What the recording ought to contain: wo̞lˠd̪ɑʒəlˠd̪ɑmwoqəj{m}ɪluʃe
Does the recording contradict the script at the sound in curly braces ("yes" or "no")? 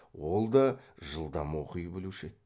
yes